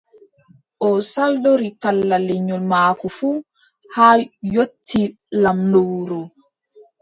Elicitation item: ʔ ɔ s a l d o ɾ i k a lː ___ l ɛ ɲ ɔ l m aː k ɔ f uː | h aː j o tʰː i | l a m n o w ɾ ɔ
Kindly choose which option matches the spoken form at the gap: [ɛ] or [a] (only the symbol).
a